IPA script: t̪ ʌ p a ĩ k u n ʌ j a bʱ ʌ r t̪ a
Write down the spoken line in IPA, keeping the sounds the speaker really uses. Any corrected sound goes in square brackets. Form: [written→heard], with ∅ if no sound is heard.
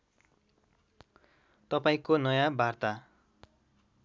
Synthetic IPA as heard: t̪ ʌ p a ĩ k [u→o] n ʌ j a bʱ [ʌ→a] r t̪ a